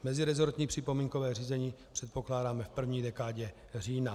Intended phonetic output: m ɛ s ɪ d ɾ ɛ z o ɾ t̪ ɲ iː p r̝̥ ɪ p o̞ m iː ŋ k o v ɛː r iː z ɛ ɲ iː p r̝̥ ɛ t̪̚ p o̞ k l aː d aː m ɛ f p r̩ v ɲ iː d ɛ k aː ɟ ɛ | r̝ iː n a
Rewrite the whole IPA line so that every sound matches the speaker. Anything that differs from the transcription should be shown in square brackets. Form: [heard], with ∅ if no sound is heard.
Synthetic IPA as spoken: m ɛ [z] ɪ [∅] ɾ ɛ z o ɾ t̪ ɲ iː p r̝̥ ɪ p o̞ m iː ŋ k o v ɛː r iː z ɛ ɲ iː p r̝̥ ɛ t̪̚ p o̞ k l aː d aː m ɛ f p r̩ v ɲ iː d ɛ k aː ɟ ɛ | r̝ iː n a